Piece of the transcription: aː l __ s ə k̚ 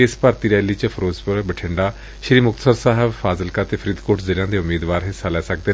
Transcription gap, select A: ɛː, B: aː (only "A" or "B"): A